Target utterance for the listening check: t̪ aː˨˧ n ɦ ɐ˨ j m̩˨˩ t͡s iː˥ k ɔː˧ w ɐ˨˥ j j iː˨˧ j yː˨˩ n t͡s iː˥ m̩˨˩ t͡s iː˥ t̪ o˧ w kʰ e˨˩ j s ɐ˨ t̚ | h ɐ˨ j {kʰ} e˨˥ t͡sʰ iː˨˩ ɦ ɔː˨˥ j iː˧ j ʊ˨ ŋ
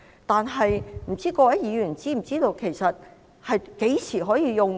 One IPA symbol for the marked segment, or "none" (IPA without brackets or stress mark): k